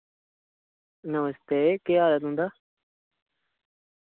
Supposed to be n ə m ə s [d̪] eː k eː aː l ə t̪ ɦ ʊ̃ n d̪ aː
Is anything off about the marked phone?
yes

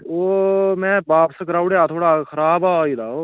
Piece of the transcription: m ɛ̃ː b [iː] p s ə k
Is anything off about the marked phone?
yes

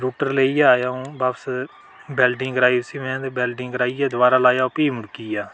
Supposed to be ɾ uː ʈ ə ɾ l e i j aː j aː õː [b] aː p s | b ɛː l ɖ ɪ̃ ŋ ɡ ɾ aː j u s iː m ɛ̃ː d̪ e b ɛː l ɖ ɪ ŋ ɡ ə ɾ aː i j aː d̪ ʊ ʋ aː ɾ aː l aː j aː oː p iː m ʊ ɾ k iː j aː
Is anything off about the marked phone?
no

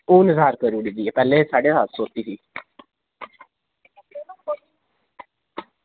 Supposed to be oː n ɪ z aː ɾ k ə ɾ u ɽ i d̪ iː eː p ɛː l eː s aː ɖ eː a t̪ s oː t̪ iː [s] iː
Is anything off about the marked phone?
no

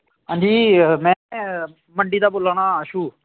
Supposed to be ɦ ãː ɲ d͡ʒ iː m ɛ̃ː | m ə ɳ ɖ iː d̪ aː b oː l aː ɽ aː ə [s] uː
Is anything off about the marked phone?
yes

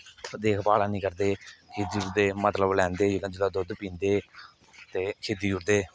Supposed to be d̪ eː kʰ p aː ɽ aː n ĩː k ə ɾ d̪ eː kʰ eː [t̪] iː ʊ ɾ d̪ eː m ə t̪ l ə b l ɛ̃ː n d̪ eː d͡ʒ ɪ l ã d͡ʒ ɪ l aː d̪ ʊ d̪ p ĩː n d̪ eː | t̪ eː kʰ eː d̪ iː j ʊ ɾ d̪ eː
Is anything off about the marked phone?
yes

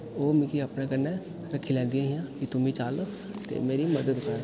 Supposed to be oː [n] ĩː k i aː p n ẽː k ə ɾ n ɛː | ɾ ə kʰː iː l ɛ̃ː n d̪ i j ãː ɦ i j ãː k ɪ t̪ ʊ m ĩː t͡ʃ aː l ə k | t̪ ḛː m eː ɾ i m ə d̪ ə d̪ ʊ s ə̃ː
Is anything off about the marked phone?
yes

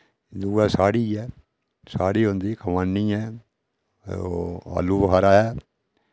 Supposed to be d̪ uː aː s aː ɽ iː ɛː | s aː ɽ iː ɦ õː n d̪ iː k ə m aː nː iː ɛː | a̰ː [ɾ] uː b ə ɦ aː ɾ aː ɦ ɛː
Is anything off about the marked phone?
yes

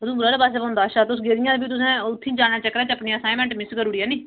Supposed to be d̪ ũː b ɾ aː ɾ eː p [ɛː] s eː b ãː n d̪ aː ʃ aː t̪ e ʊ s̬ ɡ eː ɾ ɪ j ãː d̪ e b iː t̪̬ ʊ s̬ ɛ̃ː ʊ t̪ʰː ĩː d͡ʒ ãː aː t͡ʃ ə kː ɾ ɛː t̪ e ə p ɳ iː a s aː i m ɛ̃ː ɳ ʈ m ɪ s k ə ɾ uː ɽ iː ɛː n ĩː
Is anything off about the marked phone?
yes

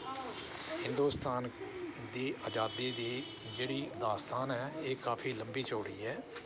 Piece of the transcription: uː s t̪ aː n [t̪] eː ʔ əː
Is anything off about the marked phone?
yes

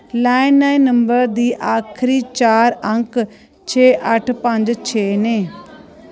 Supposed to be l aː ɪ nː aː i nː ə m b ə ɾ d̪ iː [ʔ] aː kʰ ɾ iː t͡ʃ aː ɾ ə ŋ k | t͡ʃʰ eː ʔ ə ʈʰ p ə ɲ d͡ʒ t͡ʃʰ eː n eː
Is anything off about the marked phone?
no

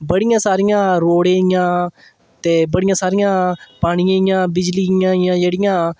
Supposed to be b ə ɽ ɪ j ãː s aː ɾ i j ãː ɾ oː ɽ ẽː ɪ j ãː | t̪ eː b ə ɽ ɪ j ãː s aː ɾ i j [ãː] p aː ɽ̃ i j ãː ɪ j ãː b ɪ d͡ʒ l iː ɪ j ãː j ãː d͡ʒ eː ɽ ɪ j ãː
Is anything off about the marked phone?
no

